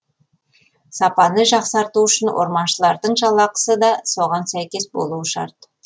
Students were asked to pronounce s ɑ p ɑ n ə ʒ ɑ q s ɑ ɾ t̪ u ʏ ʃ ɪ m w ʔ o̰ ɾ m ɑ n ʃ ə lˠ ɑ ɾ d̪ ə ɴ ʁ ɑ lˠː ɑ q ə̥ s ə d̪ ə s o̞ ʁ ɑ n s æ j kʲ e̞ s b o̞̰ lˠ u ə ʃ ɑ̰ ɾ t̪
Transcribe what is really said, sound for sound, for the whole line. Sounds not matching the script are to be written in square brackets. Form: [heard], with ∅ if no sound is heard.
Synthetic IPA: s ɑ p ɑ n ə ʒ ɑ q s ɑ ɾ t̪ u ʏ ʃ ɪ [n] w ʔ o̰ ɾ m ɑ n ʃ ə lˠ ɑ ɾ d̪ ə ɴ [ʒ] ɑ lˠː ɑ q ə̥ s ə d̪ [ɑ] s o̞ ʁ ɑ n s æ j kʲ e̞ s b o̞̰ lˠ u ə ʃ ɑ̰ ɾ t̪